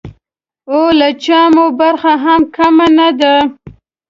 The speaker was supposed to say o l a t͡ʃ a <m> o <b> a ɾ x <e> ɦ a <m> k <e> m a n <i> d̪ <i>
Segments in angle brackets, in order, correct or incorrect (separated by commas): correct, correct, incorrect, correct, incorrect, incorrect, incorrect